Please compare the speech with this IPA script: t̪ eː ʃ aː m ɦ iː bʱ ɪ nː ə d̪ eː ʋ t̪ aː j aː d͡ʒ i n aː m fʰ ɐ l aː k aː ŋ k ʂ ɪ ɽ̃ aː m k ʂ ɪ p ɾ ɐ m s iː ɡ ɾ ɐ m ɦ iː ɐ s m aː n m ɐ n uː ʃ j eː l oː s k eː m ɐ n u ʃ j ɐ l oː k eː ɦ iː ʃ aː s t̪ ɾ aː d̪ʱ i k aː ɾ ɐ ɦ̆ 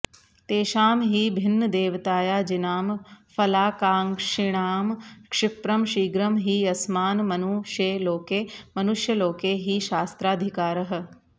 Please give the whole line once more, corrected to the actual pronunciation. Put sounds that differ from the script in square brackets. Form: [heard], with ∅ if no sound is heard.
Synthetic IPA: t̪ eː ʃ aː m ɦ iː bʱ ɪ nː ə d̪ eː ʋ t̪ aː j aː d͡ʒ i n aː m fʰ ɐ l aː k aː ŋ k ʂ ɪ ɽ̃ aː m k ʂ ɪ p ɾ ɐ m [ʃ] iː ɡ ɾ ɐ m ɦ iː ɐ s m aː n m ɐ n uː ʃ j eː l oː [∅] k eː m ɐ n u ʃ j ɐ l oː k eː ɦ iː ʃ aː s t̪ ɾ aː d̪ʱ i k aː ɾ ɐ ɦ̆

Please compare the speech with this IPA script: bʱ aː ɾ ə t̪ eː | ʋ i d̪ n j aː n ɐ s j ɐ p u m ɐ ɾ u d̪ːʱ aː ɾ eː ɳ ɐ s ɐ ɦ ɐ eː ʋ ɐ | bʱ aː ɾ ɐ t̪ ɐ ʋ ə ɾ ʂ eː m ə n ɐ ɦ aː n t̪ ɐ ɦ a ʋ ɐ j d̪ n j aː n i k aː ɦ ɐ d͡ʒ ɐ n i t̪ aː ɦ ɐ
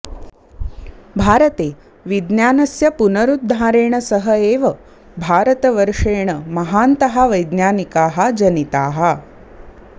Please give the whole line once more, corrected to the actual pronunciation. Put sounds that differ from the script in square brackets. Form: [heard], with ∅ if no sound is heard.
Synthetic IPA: bʱ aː ɾ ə t̪ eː | ʋ i d̪ n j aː n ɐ s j ɐ p u [n] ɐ ɾ u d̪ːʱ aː ɾ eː ɳ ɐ s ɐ ɦ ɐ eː ʋ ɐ | bʱ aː ɾ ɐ t̪ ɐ ʋ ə ɾ ʂ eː [ɳ] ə [m] ɐ ɦ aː n t̪ ɐ ɦ a ʋ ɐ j d̪ n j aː n i k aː ɦ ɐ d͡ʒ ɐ n i t̪ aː ɦ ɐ

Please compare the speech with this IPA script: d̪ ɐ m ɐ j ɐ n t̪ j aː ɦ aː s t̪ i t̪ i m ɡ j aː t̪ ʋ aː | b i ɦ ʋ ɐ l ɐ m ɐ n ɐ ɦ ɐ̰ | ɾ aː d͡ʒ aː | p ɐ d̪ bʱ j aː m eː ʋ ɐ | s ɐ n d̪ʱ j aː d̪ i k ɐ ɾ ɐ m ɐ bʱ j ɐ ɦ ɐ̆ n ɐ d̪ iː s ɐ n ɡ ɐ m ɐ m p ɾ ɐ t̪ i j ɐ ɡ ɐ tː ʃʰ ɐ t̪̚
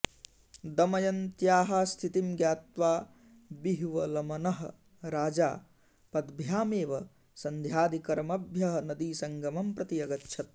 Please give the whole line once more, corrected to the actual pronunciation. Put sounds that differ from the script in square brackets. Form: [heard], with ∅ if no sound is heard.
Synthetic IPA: d̪ ɐ m ɐ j ɐ n t̪ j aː ɦ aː s [t̪ʰ] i t̪ i m ɡ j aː t̪ ʋ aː | b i ɦ ʋ ɐ l ɐ m ɐ n ɐ ɦ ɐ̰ | ɾ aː d͡ʒ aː | p ɐ d̪ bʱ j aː m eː ʋ ɐ | s ɐ n d̪ʱ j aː d̪ i k ɐ ɾ ɐ m ɐ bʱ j ɐ ɦ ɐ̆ n ɐ d̪ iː s ɐ [ŋ] ɡ ɐ m ɐ m p ɾ ɐ t̪ i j ɐ ɡ ɐ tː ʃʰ ɐ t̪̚

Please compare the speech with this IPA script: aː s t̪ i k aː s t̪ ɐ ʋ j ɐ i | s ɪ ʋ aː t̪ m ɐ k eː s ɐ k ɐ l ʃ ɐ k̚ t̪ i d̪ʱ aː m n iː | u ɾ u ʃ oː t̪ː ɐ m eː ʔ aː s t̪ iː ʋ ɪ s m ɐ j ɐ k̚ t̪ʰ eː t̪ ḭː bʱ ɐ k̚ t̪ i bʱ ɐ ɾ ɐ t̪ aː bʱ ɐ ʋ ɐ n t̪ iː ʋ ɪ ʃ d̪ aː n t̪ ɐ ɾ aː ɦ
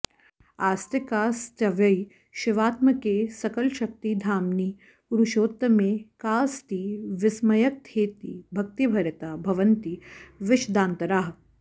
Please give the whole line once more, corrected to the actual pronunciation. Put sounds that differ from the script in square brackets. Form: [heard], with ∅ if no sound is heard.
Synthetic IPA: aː s t̪ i k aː s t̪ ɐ ʋ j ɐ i | [ʃ] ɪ ʋ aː t̪ m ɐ k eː s ɐ k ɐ l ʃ ɐ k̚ t̪ i d̪ʱ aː m n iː | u ɾ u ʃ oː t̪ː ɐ m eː [k] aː s t̪ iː ʋ ɪ s m ɐ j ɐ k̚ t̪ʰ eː t̪ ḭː bʱ ɐ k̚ t̪ i bʱ ɐ ɾ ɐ t̪ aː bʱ ɐ ʋ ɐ n t̪ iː ʋ ɪ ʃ d̪ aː n t̪ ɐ ɾ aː ɦ

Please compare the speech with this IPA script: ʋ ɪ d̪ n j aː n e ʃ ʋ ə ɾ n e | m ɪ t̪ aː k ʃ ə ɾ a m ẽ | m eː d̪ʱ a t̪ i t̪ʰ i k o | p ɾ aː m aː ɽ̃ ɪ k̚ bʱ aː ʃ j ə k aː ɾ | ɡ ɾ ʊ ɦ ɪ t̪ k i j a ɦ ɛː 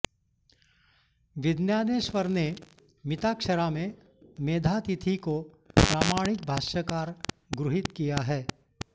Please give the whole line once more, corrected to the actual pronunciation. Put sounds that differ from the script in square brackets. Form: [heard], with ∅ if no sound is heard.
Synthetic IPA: ʋ ɪ d̪ n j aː n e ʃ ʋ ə ɾ n e | m ɪ t̪ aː k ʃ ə ɾ a m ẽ | m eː d̪ʱ a t̪ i t̪ʰ i k o | p ɾ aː m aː ɽ̃ ɪ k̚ bʱ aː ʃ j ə k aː ɾ | ɡ ɾ ʊ ɦ ɪ t̪ k i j a ɦ ɛː

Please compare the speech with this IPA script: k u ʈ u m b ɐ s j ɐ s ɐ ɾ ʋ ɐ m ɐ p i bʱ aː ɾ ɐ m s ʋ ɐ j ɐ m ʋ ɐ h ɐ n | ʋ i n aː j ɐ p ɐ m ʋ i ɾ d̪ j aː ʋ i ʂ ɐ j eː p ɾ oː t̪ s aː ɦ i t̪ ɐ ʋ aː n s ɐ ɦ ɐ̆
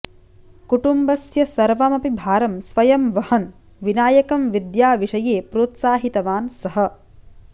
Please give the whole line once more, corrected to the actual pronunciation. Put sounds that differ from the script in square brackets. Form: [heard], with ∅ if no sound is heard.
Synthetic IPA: k u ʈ u m b ɐ s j ɐ s ɐ ɾ ʋ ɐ m ɐ p i bʱ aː ɾ ɐ m s ʋ ɐ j ɐ m ʋ ɐ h ɐ n | ʋ i n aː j ɐ [k] ɐ m ʋ i [∅] d̪ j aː ʋ i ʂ ɐ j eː p ɾ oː t̪ s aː ɦ i t̪ ɐ ʋ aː n s ɐ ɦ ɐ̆

